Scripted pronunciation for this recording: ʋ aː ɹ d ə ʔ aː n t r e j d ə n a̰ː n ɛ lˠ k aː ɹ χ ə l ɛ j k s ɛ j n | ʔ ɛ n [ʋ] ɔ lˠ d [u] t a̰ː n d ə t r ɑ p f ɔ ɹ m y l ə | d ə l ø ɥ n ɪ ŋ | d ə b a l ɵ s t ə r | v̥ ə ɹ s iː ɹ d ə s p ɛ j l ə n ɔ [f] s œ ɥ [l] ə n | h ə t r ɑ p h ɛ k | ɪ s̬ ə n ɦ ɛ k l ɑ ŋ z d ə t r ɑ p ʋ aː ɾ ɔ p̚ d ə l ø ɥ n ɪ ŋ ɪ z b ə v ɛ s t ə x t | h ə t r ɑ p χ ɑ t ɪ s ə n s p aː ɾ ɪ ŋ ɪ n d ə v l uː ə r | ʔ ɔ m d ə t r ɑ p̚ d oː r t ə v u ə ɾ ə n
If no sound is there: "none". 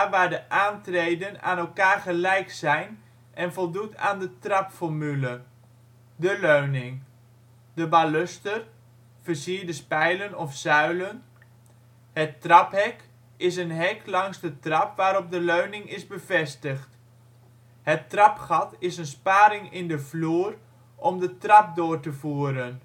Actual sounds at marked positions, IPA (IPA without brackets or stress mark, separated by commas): v, u, f, l